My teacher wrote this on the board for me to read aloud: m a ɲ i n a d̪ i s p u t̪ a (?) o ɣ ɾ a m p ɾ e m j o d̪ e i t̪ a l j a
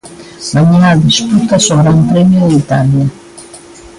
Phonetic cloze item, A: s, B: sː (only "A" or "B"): A